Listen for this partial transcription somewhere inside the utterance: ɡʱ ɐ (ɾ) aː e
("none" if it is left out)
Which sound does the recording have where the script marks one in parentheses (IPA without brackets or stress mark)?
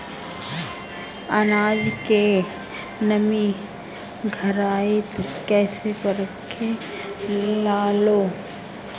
ɾ